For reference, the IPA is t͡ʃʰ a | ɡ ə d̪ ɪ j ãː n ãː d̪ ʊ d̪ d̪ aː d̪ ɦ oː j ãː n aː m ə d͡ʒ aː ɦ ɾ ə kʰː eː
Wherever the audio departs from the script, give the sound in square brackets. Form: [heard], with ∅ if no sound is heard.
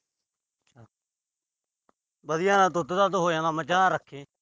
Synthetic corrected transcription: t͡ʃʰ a | [b] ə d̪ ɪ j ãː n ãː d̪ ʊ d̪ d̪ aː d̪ ɦ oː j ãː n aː m ə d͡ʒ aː [∅] ɾ ə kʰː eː

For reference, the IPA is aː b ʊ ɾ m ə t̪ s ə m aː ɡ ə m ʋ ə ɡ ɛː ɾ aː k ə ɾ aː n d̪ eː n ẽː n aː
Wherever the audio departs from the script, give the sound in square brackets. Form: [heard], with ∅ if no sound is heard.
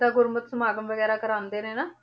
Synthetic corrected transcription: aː [ɡ] ʊ ɾ m ə t̪ s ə m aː ɡ ə m ʋ ə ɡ ɛː ɾ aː k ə ɾ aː n d̪ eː n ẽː n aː

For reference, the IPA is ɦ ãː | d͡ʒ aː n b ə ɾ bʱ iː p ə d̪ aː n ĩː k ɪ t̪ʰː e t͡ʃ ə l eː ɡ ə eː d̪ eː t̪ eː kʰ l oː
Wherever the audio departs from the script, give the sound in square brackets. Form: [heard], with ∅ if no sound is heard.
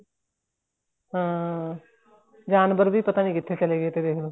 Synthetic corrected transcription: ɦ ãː | d͡ʒ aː n b ə ɾ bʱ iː p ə [t̪] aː n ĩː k ɪ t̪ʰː e t͡ʃ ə l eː ɡ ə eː [t̪] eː [d̪] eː kʰ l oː

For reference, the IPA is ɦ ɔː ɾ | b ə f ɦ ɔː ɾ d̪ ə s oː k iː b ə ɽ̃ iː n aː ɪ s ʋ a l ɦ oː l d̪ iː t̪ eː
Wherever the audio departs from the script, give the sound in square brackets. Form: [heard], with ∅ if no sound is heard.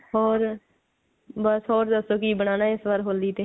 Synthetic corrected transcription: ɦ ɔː ɾ | b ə [s] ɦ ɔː ɾ d̪ ə s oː k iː b ə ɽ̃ [aː] n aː ɪ s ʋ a [ɾ] ɦ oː l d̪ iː t̪ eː

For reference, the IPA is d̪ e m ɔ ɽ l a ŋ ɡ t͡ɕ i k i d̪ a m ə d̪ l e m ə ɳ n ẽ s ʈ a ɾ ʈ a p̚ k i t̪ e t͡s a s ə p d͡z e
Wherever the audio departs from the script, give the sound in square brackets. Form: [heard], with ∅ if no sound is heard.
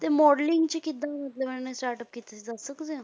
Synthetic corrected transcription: [t̪] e m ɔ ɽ l [i] ŋ ɡ t͡ɕ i k i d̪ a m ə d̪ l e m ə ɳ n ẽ s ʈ a ɾ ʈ [ə] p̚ k i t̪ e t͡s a s ə [k] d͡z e

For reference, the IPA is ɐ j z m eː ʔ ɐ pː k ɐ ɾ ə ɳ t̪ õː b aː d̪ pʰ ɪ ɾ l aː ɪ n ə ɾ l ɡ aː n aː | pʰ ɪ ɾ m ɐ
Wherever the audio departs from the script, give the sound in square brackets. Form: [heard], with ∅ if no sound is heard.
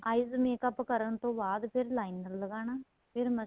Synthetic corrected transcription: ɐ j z m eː [k] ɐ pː k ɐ ɾ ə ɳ t̪ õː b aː d̪ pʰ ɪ ɾ l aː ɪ n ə ɾ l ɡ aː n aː | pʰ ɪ ɾ m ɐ

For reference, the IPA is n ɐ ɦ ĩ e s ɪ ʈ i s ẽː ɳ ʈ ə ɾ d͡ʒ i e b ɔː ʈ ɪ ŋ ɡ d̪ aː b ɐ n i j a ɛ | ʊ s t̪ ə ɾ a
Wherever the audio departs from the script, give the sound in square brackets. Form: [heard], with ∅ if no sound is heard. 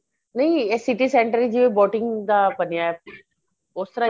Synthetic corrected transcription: n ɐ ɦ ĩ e s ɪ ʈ i s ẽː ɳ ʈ ə ɾ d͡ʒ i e b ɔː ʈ ɪ ŋ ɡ d̪ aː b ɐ n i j a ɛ | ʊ s t̪ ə ɾ a

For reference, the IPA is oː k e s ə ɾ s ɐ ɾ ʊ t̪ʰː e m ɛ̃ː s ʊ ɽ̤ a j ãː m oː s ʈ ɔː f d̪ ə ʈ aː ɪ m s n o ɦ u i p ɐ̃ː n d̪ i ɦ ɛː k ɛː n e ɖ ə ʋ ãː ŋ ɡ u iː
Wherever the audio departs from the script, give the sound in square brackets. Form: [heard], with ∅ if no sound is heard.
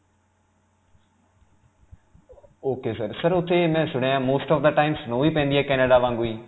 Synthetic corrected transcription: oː k e s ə ɾ s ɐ ɾ ʊ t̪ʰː e m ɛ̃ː s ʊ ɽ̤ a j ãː m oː s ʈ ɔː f d̪ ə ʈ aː ɪ m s n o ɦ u i p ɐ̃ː n d̪ i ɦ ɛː k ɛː n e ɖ [a] ʋ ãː ŋ ɡ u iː

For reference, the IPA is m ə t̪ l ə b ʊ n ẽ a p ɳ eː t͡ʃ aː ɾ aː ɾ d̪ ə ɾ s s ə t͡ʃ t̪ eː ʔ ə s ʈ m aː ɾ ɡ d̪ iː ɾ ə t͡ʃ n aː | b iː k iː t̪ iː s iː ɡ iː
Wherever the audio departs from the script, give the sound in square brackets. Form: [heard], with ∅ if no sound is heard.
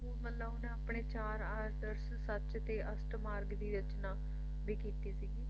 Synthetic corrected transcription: m ə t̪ l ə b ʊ n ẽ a p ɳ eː t͡ʃ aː ɾ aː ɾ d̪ ə ɾ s s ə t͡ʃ t̪ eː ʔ ə s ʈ m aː ɾ ɡ d̪ iː ɾ ə t͡ʃ n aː | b iː k iː t̪ iː s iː ɡ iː

